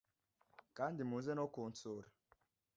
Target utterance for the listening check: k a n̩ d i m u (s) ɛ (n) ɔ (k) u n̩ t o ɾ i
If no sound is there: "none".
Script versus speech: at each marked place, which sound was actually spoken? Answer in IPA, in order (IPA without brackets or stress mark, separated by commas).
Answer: z, n, k